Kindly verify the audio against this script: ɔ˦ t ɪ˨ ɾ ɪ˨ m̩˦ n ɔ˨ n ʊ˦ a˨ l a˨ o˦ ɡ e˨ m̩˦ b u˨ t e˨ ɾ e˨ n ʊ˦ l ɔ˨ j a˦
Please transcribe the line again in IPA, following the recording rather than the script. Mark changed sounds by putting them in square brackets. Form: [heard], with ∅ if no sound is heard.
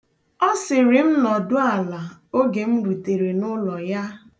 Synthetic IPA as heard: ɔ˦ [s] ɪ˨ ɾ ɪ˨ m̩˦ n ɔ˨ [d] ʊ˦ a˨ l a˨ o˦ ɡ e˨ m̩˦ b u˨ t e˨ ɾ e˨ n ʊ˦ l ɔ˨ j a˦